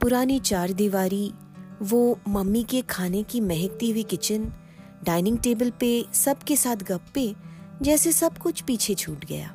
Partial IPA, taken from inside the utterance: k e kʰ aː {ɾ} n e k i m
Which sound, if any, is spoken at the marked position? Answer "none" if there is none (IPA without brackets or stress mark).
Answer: none